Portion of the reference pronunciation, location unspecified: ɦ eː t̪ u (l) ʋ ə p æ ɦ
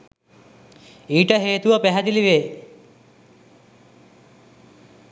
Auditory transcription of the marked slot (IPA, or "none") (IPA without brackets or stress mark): none